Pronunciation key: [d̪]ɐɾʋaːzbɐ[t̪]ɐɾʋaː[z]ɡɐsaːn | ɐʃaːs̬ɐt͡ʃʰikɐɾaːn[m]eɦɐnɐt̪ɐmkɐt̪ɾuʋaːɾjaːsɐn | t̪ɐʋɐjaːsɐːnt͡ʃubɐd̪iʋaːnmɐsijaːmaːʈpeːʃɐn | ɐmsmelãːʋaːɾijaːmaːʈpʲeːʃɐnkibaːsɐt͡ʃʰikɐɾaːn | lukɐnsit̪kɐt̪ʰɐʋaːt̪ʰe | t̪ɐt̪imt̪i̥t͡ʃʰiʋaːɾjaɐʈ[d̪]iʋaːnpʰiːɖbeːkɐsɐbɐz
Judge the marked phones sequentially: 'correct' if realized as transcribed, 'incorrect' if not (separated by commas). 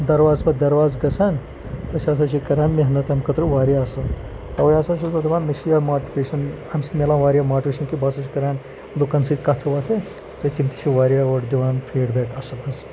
correct, incorrect, correct, correct, correct